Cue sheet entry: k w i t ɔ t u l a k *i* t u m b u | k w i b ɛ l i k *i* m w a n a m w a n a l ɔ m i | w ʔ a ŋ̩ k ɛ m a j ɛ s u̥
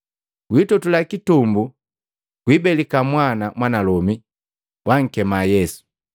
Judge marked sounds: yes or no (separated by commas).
yes, no